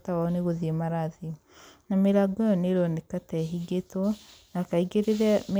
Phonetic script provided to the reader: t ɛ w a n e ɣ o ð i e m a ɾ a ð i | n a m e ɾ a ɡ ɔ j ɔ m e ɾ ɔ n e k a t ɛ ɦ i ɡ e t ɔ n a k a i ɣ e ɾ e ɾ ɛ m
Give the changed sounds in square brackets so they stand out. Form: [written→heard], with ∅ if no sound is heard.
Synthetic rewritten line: t [ɛ→a] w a n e ɣ o ð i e m a ɾ a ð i | n a m e ɾ a ɡ ɔ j ɔ [m→n] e ɾ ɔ n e k a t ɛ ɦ i ɡ e t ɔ n a k a i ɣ e ɾ e ɾ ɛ m